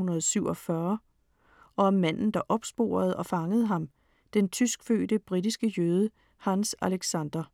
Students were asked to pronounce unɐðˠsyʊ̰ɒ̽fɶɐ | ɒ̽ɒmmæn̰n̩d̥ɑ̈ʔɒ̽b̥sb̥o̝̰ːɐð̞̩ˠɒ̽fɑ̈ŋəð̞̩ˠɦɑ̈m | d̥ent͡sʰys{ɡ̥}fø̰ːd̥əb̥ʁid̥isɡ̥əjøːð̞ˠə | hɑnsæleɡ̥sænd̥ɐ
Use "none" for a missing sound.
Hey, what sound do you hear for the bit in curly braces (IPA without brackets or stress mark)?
ɡ̥